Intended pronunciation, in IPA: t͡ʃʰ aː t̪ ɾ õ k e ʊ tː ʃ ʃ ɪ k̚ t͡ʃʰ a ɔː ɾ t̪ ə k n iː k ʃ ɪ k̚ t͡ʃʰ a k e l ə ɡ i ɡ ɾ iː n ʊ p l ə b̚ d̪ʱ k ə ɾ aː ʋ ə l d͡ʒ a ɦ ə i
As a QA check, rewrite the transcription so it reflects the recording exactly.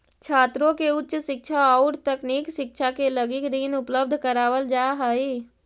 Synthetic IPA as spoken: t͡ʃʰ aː t̪ ɾ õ k e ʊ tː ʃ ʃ ɪ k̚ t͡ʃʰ a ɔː ɾ t̪ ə k n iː k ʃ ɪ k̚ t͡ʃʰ a k e l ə ɡ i k ɾ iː n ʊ p l ə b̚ d̪ʱ k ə ɾ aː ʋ ə l d͡ʒ a ɦ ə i